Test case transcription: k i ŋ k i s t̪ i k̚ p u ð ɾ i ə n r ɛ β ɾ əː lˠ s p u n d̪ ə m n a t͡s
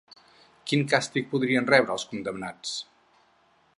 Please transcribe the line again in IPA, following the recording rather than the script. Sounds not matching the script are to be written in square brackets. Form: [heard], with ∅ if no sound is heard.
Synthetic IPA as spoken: k i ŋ k [a] s t̪ i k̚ p u ð ɾ i ə n r ɛ β ɾ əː lˠ s [k] u n d̪ ə m n a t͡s